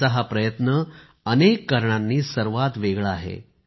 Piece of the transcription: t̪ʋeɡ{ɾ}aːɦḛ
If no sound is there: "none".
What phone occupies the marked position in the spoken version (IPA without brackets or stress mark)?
ɭ